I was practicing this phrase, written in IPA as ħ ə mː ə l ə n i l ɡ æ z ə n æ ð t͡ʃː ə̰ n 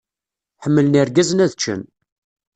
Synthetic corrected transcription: ħ ə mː ə l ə n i ɾ ɡ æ z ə n æ ð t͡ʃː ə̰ n